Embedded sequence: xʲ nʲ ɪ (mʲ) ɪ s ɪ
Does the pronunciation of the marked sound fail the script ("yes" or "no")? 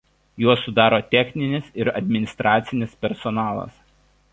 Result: yes